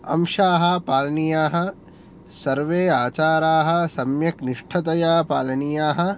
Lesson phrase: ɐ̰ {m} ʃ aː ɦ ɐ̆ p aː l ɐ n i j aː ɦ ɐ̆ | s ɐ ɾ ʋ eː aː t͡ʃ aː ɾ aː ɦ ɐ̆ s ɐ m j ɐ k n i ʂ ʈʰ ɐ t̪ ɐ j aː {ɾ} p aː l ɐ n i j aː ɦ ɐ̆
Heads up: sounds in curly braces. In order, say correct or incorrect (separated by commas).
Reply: correct, incorrect